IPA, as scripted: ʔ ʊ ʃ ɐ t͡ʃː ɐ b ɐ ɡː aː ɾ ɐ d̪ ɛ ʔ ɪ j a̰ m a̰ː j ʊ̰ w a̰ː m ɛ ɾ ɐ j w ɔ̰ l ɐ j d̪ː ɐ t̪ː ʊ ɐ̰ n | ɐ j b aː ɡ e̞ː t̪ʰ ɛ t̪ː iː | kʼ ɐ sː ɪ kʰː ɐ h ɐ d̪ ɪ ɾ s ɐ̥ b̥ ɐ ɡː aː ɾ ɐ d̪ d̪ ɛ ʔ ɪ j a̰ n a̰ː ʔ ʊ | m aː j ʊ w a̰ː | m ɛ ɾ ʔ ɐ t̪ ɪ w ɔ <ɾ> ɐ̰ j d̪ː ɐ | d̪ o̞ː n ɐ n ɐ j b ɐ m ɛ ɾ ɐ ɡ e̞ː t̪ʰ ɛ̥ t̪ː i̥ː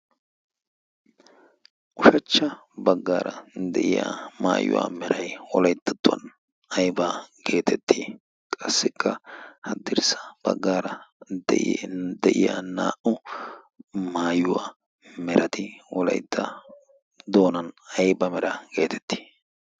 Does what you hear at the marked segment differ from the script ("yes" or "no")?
yes